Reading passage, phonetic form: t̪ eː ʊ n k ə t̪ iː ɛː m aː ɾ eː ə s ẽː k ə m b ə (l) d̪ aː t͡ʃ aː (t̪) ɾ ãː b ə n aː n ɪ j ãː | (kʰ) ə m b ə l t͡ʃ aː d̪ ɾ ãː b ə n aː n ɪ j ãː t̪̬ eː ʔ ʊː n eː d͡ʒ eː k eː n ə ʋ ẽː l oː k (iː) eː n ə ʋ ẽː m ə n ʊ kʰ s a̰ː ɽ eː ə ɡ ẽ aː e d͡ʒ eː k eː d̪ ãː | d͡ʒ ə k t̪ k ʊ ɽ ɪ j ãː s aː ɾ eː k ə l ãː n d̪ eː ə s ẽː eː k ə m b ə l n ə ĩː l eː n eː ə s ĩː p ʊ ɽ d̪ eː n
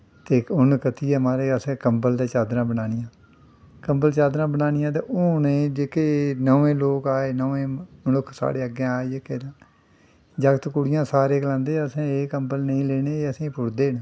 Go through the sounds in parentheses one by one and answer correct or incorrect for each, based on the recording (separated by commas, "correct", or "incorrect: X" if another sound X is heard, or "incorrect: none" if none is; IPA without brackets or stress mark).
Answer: correct, incorrect: d̪, incorrect: k, incorrect: aː